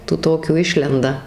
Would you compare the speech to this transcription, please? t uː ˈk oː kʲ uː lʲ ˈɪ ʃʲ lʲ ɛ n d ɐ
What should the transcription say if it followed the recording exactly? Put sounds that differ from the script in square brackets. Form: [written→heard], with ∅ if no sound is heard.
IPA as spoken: t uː [ˈk→ˈt] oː kʲ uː [lʲ→∅] ˈɪ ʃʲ lʲ ɛ n d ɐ